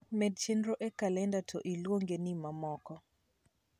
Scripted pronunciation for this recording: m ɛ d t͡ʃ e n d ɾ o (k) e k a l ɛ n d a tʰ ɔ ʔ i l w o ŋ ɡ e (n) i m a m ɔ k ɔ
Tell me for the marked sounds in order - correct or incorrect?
incorrect: ʔ, correct

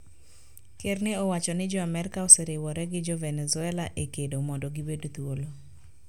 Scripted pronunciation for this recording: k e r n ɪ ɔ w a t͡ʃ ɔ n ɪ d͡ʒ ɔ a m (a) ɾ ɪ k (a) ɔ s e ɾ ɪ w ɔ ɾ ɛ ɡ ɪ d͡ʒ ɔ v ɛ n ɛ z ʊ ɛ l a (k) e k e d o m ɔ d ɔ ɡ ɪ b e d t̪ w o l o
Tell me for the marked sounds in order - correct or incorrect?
incorrect: ɛ, correct, incorrect: ʔ

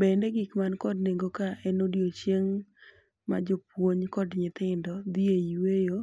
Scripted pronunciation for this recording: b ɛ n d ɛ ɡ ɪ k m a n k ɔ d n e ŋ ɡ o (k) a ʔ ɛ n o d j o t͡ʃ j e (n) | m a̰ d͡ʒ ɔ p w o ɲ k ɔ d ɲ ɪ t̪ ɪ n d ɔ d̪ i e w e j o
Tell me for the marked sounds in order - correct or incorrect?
correct, incorrect: ŋ

